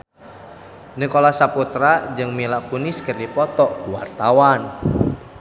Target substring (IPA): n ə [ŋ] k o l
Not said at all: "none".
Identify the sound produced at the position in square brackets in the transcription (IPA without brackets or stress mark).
none